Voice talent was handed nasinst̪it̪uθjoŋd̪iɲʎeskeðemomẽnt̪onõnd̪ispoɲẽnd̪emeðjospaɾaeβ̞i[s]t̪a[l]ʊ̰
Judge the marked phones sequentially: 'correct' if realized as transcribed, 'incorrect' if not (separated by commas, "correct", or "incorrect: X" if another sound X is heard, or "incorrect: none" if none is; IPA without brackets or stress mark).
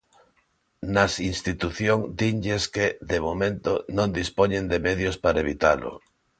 incorrect: none, correct